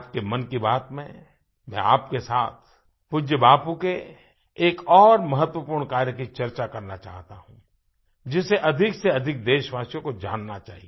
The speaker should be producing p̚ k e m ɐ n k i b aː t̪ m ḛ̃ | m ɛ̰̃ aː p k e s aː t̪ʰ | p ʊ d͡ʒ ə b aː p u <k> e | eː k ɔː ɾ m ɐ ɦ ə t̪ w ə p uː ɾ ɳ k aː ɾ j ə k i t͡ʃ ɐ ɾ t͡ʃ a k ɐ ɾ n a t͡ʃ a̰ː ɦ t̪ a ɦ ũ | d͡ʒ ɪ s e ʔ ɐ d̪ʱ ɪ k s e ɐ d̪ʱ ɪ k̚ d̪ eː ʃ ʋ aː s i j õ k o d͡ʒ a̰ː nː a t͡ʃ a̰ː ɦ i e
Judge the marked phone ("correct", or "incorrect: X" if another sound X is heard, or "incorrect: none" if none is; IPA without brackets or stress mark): correct